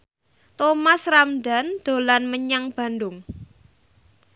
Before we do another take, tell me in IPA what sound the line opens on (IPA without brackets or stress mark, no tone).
t̪